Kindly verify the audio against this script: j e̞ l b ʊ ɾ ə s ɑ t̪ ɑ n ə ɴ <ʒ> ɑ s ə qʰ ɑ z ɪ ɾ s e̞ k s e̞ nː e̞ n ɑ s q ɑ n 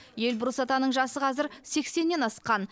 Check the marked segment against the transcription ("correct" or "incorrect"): correct